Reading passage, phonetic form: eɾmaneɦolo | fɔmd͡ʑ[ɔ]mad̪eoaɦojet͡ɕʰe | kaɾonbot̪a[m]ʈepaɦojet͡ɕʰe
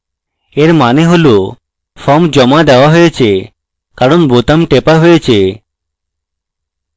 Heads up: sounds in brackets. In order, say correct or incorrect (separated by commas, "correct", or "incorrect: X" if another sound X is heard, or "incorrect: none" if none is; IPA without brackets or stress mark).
correct, correct